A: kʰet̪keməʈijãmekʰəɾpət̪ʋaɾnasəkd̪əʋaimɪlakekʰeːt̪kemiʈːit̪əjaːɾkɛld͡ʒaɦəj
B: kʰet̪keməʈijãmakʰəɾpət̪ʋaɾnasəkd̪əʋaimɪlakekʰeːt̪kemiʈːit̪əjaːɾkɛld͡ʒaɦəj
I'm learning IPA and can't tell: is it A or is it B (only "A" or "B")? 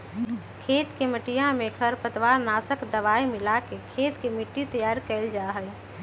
A